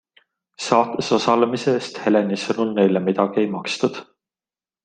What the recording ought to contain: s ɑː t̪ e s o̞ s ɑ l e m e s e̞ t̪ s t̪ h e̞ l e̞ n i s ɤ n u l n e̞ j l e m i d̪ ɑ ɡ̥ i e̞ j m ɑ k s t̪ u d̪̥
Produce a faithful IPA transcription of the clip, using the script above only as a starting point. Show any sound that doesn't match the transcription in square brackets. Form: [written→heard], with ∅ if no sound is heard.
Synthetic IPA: s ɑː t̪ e s o̞ s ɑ l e m [e→i] s e̞ [t̪→∅] s t̪ h e̞ l e̞ n i s ɤ n u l n e̞ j l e m i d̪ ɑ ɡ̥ i e̞ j m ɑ k s t̪ u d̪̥